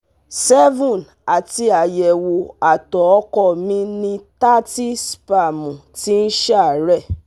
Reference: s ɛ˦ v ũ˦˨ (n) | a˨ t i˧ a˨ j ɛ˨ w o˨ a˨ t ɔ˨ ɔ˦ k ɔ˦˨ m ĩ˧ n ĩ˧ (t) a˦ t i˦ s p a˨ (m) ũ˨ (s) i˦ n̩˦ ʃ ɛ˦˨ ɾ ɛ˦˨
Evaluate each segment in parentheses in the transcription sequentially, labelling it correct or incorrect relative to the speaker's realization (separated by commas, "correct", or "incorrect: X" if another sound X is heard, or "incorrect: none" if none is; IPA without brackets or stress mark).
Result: correct, correct, correct, incorrect: t